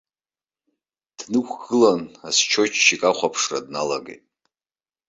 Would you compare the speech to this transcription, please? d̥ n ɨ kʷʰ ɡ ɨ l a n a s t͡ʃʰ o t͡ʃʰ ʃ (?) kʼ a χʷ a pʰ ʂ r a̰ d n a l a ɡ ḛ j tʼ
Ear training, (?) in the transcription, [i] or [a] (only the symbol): i